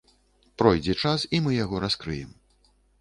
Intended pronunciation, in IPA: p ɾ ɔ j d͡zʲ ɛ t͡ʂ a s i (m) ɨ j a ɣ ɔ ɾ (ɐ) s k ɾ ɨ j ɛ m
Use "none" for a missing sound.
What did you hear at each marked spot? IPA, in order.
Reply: m, a

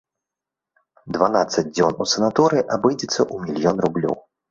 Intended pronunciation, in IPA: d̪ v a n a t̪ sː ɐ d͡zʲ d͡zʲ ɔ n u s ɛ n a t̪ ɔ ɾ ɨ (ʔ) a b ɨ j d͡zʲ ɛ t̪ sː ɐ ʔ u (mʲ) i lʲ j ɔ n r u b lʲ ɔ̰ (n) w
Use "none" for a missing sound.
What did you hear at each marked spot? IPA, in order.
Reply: ʔ, mʲ, none

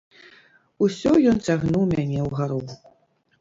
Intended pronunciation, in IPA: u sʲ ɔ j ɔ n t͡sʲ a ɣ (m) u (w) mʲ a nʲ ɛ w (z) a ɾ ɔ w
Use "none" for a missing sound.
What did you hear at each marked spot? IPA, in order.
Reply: n, w, ɣ

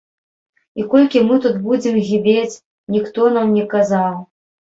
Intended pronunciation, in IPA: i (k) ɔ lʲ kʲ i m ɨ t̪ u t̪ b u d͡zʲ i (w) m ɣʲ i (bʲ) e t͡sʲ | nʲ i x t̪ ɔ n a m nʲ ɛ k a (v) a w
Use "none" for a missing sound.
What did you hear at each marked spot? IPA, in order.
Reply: k, none, bʲ, z

